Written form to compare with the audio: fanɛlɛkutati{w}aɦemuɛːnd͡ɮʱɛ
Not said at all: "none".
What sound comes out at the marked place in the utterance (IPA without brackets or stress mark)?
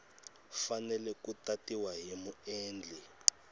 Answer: w